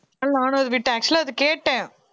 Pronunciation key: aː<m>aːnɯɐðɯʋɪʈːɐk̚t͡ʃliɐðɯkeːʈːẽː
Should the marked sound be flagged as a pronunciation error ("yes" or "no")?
yes